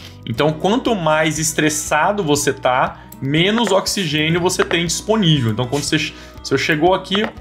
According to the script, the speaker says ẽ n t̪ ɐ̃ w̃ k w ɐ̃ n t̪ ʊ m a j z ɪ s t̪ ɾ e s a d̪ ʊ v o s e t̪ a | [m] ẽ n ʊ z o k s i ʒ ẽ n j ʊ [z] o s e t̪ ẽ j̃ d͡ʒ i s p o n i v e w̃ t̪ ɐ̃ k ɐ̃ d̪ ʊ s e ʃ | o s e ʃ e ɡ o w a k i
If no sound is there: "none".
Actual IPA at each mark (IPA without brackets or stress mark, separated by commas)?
m, v